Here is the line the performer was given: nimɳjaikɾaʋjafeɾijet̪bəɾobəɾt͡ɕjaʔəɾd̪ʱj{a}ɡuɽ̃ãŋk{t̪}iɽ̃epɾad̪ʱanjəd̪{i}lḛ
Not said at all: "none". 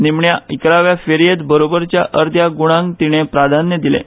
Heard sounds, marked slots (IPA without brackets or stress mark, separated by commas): a, t̪, i